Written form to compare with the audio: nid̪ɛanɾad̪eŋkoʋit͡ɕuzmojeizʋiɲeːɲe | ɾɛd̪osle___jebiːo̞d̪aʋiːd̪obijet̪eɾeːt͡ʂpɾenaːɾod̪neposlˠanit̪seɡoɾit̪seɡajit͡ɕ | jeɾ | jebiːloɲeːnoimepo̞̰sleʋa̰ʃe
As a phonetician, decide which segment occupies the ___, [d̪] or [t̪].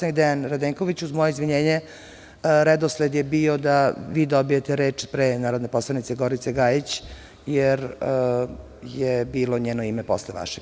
d̪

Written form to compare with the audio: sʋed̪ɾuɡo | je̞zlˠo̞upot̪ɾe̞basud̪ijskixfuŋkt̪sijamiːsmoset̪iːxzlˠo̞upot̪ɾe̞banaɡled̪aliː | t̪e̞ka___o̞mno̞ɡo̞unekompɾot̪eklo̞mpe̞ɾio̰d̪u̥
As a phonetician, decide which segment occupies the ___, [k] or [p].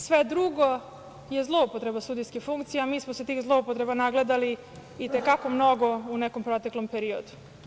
k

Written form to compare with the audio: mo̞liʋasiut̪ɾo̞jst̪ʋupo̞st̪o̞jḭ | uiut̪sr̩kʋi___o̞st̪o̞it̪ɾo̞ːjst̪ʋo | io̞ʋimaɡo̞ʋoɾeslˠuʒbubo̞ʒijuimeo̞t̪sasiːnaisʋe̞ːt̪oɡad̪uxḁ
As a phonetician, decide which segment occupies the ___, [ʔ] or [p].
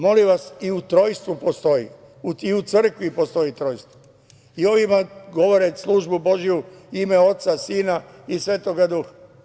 p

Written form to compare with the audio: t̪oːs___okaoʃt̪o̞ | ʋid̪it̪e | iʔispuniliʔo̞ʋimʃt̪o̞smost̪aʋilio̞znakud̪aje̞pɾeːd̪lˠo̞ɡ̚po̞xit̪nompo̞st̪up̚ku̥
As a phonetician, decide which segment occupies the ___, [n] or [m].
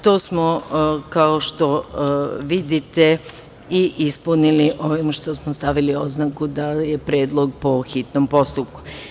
m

